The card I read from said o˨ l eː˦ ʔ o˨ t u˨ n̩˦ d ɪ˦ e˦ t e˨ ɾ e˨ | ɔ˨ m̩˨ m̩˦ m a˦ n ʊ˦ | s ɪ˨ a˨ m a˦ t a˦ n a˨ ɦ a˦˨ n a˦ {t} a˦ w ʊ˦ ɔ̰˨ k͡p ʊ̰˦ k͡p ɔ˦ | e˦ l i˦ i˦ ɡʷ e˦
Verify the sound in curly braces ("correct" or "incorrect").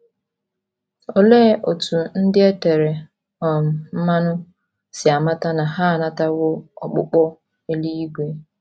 correct